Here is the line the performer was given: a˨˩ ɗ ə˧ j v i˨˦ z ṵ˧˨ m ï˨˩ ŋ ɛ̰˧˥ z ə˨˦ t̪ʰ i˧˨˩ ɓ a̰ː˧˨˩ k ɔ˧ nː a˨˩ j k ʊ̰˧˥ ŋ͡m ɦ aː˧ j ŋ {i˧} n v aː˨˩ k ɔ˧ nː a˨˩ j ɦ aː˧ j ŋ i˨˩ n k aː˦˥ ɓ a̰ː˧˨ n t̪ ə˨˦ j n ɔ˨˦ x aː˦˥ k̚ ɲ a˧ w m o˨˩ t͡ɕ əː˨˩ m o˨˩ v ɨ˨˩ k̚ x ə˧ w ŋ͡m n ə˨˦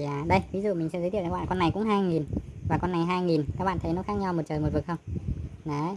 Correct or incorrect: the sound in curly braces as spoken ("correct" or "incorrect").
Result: incorrect